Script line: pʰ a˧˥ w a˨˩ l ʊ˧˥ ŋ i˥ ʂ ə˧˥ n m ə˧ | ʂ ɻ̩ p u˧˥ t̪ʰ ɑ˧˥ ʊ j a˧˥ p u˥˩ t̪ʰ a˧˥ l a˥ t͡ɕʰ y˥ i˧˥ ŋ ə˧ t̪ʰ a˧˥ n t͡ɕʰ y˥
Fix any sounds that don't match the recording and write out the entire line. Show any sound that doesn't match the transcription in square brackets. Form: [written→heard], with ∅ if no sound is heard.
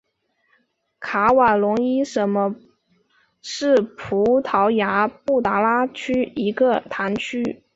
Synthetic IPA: [pʰ→kʰ] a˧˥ w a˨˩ l ʊ˧˥ ŋ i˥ ʂ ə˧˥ n m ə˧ | ʂ ɻ̩ [p→pʰ] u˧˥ t̪ʰ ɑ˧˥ ʊ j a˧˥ p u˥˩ [t̪ʰ→t̪] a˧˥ l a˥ t͡ɕʰ y˥ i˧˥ [ŋ→ɡ] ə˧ t̪ʰ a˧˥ n t͡ɕʰ y˥